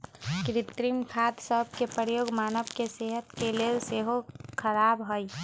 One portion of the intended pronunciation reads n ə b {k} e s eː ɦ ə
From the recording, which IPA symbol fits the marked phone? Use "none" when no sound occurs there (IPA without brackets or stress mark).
k